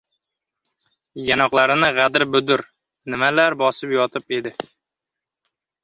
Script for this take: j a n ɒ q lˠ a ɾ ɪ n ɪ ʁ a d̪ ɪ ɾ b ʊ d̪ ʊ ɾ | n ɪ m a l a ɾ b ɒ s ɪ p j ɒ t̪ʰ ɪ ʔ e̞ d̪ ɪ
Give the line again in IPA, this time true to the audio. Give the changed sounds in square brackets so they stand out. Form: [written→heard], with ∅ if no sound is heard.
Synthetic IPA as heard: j a n ɒ q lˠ a ɾ ɪ n ɪ ʁ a d̪ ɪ ɾ b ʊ d̪ ʊ ɾ | n ɪ m a l a ɾ b ɒ s ɪ p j ɒ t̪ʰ ɪ [ʔ→p] e̞ d̪ ɪ